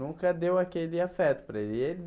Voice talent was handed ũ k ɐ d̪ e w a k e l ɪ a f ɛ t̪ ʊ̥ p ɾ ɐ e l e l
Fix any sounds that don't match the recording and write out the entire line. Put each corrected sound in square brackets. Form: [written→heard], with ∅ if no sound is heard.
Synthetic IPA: ũ k ɐ d̪ e w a k e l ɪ a f ɛ t̪ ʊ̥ p ɾ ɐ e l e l

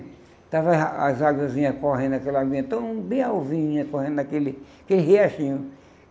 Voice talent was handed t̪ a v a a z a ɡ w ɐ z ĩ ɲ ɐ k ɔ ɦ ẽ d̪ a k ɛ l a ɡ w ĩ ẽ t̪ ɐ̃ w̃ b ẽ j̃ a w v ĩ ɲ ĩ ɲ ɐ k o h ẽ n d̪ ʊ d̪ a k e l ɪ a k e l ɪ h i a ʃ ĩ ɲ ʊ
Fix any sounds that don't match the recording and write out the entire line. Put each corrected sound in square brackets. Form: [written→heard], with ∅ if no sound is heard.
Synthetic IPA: t̪ a v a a z a ɡ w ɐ z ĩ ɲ ɐ k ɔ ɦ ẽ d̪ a k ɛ l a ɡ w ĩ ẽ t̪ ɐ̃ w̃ b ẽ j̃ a w v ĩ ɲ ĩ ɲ ɐ k o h ẽ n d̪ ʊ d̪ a k e l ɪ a k e l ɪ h [i→e] a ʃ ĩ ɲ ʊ

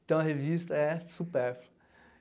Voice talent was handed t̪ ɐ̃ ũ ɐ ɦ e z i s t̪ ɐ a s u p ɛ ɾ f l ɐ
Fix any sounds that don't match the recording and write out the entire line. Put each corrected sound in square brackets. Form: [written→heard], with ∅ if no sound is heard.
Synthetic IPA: t̪ ɐ̃ [ũ→w̃] ɐ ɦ e [z→v] i s t̪ ɐ [a→ɛ] s u p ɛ ɾ f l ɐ

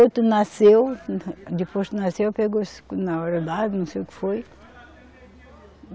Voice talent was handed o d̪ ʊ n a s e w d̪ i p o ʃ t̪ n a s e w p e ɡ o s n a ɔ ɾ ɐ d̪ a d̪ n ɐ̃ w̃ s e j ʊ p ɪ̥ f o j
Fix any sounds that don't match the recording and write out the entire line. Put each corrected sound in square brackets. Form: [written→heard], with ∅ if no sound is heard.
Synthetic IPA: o [d̪→t̪] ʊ n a s e w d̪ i p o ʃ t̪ n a s e w p e ɡ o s n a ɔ ɾ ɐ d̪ a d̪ n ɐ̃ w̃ s e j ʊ [p→k] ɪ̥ f o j

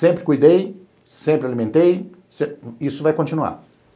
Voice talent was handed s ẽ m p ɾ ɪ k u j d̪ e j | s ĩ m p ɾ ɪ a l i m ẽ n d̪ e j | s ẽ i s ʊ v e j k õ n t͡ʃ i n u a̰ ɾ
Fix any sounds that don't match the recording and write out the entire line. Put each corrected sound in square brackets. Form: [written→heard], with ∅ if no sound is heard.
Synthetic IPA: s ẽ m p ɾ ɪ k u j d̪ e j | s [ĩ→ẽ] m p ɾ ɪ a l i m ẽ n [d̪→t̪] e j | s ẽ i s ʊ v [e→a] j k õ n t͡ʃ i n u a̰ ɾ

